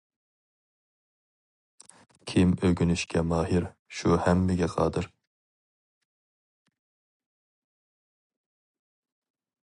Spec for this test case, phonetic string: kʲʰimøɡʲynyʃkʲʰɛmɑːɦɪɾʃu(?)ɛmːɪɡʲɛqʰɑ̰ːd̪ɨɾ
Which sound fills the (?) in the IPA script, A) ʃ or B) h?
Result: B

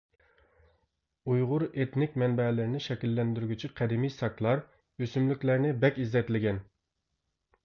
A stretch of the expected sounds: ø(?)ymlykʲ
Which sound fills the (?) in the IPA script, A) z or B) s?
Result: B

